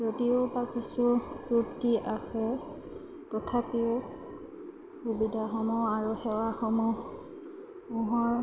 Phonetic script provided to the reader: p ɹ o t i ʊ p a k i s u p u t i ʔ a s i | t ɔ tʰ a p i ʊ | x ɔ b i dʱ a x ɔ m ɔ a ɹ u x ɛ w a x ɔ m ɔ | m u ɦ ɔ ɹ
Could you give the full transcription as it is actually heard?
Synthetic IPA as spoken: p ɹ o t i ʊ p a k i s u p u t i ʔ a s ɛ | t ɔ tʰ a p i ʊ | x u b i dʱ a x ɔ m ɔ a ɹ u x ɛ w a x ɔ m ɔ | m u ɦ ɔ ɹ

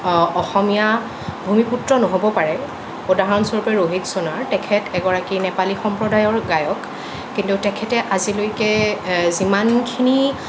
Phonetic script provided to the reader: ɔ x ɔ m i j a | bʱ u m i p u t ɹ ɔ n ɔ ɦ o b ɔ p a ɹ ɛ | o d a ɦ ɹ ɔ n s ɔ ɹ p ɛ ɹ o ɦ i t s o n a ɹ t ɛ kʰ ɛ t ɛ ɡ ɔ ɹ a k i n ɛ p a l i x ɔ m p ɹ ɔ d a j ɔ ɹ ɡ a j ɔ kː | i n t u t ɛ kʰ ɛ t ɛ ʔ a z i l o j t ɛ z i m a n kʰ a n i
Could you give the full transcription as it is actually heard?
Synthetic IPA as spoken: ɔ x ɔ m i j a | bʱ u m i p u t ɹ ɔ n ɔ ɦ o b ɔ p a ɹ ɛ | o d a ɦ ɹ ɔ n s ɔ ɹ p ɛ ɹ o ɦ i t s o n a ɹ t ɛ kʰ ɛ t ɛ ɡ ɔ ɹ a k i n ɛ p a l i x ɔ m p ɹ ɔ d a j ɔ ɹ ɡ a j ɔ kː | i n t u t ɛ kʰ ɛ t ɛ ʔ a z i l o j k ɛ z i m a n kʰ i n i

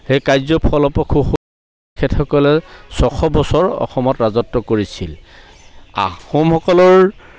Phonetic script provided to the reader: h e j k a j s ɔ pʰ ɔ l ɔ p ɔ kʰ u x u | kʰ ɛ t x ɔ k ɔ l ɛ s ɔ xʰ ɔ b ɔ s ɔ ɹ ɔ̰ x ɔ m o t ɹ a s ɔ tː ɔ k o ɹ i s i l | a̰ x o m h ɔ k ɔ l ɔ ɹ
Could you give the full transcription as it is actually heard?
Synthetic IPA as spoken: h e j k a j z ɔ pʰ ɔ l ɔ p ɔ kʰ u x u | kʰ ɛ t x ɔ k ɔ l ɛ s ɔ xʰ ɔ b ɔ s ɔ ɹ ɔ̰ x ɔ m ɔ t ɹ a z ɔ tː ɔ k o ɹ i s i l | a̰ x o m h ɔ k ɔ l ɔ ɹ

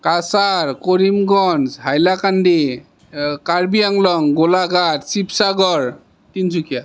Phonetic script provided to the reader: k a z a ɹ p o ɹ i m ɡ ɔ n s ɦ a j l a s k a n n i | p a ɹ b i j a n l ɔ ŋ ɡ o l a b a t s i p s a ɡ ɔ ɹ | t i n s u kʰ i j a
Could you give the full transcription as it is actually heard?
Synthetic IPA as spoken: k a s a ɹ k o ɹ i m ɡ ɔ n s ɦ a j l a k a n d i | k a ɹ b i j a ŋ l ɔ ŋ ɡ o l a ɡ a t s i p s a ɡ ɔ ɹ | t i n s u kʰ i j a

